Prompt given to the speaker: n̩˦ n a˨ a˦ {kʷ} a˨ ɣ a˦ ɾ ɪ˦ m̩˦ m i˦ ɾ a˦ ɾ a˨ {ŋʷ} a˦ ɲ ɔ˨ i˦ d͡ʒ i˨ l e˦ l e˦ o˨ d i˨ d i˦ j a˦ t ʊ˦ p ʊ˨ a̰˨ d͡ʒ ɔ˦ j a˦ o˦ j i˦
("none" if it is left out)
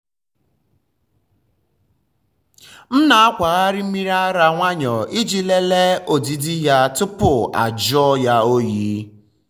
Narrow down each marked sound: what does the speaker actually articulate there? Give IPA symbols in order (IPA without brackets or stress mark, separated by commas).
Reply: kʷ, ŋʷ